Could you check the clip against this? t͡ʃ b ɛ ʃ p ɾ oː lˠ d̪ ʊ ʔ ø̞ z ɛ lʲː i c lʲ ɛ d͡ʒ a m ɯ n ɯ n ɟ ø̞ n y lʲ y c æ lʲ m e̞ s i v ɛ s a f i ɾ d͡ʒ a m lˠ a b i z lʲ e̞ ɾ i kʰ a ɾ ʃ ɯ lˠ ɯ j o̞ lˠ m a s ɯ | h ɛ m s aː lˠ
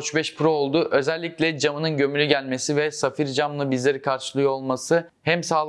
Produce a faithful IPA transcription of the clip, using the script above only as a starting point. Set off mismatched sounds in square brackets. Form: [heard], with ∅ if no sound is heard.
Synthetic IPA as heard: t͡ʃ b ɛ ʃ p ɾ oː lˠ d̪ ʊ ʔ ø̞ z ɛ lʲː i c lʲ ɛ d͡ʒ a m ɯ n ɯ n ɟ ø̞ [m] y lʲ y [ɟ] æ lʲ m e̞ s i v ɛ s a f i ɾ d͡ʒ a m lˠ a b i z lʲ e̞ ɾ i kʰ a ɾ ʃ ɯ lˠ ɯ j o̞ lˠ m a s ɯ | h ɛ m s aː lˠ